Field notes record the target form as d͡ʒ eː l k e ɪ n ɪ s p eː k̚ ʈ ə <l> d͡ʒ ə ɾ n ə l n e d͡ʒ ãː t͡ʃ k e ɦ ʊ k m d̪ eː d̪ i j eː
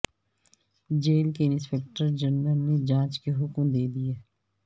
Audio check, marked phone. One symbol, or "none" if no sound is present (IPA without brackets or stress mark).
ɾ